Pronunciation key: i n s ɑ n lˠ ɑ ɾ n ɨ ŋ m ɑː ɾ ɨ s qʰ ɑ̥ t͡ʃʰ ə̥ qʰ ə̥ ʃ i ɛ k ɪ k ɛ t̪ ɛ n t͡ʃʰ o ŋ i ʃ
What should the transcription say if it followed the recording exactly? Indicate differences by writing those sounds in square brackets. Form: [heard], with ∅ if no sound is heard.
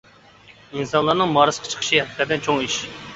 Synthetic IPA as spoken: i n s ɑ n lˠ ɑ ɾ n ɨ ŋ m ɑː ɾ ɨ s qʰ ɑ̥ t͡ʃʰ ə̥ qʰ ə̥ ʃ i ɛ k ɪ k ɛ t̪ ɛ n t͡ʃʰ o ŋ i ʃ